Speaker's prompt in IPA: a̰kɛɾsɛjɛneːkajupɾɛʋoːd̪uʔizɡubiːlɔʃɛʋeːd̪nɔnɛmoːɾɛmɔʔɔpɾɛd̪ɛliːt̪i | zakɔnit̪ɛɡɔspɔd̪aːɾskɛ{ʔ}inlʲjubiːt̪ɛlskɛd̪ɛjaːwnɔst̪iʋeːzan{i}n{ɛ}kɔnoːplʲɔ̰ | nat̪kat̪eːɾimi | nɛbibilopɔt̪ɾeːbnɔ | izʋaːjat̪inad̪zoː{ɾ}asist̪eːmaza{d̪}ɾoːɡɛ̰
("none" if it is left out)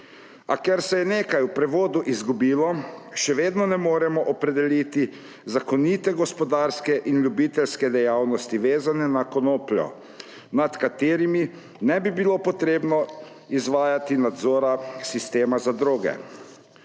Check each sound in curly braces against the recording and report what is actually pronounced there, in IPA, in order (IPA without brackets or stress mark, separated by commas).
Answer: ʔ, ɛ, a, ɾ, d̪